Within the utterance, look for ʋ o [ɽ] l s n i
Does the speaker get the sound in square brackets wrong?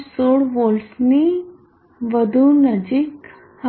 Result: yes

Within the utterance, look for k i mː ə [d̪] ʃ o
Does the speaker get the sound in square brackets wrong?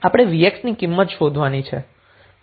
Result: yes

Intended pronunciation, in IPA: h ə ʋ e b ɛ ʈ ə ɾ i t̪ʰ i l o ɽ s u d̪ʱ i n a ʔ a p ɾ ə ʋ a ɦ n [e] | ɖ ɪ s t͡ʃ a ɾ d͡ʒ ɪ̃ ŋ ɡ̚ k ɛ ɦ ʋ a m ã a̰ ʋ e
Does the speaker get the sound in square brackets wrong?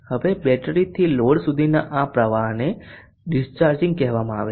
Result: no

